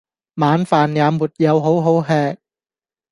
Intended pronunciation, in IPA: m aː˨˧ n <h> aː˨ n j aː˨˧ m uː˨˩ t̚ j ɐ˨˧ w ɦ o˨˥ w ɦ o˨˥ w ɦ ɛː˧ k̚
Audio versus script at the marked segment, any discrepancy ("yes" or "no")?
yes